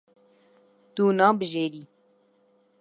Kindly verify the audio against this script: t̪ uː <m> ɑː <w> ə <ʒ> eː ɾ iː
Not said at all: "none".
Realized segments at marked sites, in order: n, b, ʒ

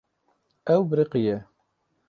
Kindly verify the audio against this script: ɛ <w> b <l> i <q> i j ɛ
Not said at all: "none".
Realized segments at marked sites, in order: w, ɾ, q

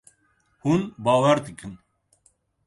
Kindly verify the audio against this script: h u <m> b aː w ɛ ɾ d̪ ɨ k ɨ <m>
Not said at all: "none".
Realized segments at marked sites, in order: n, n

